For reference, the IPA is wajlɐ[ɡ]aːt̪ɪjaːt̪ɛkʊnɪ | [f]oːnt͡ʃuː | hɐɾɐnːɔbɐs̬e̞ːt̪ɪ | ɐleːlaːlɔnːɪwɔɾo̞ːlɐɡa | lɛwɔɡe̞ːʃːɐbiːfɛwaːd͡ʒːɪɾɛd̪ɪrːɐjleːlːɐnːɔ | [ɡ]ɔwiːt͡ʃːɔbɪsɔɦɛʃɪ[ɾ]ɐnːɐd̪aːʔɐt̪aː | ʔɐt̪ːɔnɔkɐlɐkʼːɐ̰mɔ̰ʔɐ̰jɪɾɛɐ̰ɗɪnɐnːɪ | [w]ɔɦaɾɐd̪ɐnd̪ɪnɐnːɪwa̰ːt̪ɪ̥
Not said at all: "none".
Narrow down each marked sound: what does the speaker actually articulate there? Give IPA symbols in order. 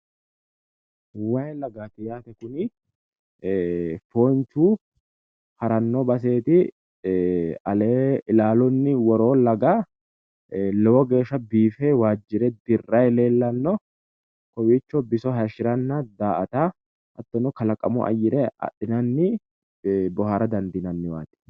ɡ, f, k, ɾ, b

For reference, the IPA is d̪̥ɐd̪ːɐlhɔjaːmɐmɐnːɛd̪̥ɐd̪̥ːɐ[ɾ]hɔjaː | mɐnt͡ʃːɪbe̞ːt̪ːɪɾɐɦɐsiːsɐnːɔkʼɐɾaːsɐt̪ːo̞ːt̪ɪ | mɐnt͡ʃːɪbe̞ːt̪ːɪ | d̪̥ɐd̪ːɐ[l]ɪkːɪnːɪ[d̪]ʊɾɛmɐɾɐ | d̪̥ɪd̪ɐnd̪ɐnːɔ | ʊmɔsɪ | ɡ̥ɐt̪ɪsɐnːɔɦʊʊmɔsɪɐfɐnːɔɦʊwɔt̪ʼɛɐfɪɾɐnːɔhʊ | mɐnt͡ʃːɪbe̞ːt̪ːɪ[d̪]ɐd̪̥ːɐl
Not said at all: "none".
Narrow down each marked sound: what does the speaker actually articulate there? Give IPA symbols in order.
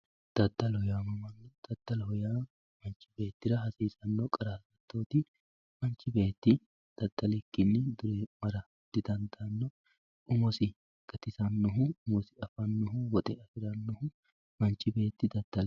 l, l, d̪, d̪

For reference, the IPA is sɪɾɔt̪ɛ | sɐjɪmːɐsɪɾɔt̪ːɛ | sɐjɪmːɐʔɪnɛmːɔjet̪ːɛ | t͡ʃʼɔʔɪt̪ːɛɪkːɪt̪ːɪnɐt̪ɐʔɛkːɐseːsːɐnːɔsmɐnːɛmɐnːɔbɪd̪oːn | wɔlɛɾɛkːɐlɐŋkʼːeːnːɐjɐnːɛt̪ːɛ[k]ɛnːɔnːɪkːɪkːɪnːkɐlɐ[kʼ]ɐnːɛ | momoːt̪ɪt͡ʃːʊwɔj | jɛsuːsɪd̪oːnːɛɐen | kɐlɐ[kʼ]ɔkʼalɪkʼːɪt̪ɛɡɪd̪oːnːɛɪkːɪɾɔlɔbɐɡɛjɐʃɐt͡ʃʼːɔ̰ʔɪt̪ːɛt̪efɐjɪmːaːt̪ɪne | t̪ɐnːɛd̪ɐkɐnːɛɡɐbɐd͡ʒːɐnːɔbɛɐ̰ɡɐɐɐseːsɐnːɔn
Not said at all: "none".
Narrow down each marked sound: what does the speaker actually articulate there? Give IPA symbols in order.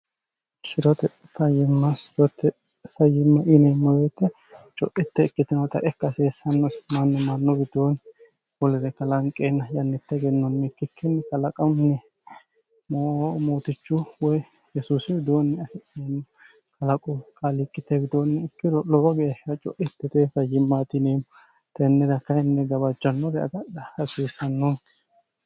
ɡ, kʼ, kʼ

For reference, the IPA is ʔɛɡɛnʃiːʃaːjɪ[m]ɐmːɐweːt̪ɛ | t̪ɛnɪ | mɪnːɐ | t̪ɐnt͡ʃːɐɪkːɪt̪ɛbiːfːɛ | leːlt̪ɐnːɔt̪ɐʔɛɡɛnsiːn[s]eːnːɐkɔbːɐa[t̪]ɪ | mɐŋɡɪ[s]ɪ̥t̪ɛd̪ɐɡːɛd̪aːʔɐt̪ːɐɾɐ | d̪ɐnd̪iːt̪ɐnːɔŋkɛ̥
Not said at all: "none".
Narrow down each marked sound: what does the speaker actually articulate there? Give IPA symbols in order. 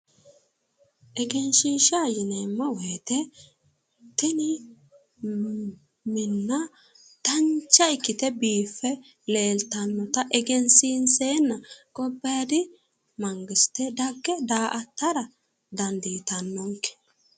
n, s, d̪, s

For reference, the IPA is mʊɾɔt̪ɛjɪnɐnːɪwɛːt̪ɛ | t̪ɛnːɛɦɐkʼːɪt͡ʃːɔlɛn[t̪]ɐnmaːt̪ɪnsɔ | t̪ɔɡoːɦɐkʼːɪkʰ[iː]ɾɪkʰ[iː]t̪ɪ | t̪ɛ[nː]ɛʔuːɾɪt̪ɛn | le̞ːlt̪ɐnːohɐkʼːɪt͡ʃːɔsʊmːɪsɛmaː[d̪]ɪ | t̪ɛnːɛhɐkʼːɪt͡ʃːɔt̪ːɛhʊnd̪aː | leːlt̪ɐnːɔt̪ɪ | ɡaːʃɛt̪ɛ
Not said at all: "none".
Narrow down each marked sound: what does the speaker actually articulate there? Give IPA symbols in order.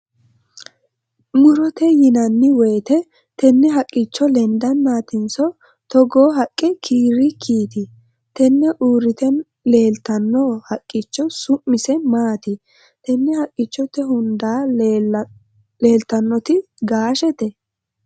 d̪, iː, iː, nː, t̪

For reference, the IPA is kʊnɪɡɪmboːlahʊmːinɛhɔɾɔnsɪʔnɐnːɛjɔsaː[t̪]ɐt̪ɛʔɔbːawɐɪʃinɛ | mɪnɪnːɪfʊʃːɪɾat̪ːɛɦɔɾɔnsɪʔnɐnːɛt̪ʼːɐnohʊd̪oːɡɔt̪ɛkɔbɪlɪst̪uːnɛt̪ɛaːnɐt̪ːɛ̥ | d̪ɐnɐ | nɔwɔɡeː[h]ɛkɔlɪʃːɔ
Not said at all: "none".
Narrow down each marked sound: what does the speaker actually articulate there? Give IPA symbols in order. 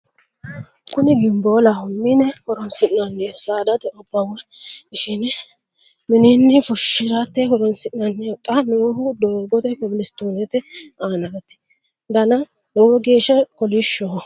d̪, ʃ

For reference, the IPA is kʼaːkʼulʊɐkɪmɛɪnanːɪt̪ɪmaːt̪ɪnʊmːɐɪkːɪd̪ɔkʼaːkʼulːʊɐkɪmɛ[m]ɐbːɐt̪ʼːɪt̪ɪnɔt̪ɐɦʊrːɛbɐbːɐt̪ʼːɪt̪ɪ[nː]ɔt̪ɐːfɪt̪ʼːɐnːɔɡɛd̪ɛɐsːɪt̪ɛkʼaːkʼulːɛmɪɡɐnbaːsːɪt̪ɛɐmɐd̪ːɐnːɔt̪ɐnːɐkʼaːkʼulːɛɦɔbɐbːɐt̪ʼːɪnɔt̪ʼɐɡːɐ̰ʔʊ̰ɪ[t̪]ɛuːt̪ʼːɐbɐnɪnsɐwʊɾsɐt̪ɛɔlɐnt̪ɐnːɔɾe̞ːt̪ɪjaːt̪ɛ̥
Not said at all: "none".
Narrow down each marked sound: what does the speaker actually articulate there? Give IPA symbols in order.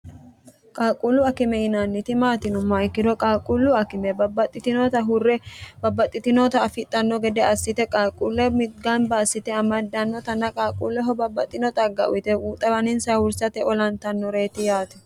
b, n, t̪

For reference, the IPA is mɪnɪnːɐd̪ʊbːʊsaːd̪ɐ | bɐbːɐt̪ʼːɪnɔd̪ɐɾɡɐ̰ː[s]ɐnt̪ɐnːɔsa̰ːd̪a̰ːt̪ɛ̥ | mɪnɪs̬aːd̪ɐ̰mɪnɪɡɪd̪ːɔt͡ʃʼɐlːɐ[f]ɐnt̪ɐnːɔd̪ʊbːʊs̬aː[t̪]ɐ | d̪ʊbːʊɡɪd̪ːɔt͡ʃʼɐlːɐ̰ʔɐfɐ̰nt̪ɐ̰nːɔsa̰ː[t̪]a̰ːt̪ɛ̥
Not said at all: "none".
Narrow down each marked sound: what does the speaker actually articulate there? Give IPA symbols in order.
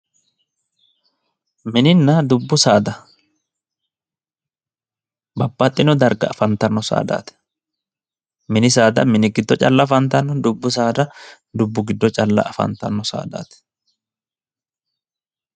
f, f, d̪, d̪

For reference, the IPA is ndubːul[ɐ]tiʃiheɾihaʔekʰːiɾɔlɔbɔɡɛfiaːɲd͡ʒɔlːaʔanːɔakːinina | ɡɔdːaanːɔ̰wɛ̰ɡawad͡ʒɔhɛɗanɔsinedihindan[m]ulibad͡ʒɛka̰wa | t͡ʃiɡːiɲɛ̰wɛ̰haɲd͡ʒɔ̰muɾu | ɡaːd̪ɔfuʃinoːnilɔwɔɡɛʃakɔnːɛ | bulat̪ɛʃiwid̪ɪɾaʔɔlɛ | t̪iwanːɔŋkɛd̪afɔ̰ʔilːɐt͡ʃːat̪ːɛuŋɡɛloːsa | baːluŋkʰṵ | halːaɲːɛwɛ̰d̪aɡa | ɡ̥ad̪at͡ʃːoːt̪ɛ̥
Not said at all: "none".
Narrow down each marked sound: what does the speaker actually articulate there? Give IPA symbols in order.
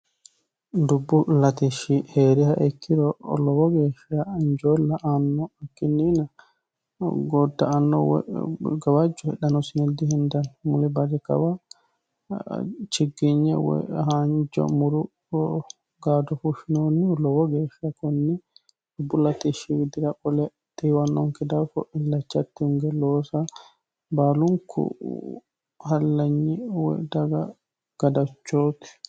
a, m

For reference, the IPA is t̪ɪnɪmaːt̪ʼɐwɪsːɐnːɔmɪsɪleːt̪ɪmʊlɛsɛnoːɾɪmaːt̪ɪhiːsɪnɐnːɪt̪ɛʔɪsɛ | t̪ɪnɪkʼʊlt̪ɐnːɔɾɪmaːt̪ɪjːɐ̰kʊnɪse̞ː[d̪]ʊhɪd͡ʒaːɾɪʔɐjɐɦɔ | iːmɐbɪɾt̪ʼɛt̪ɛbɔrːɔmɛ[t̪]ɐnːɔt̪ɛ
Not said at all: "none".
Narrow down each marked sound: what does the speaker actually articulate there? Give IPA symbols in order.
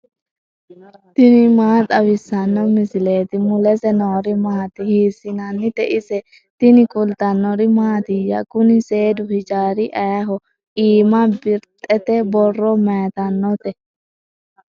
d̪, t̪

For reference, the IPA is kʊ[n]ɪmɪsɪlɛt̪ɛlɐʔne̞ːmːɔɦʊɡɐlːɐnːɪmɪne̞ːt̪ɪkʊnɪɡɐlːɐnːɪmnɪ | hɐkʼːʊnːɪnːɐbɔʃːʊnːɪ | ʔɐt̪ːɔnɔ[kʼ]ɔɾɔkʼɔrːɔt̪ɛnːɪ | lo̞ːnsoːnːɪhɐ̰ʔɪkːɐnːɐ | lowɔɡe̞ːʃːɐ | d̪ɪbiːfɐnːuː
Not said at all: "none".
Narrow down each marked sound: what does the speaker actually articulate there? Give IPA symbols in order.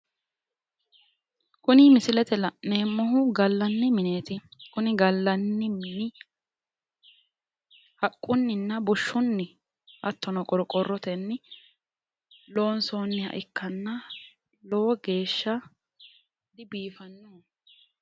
n, kʼ

